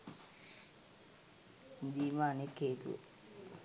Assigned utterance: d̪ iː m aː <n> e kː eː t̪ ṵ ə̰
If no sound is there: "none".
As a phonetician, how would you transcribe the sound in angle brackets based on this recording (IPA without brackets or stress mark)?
n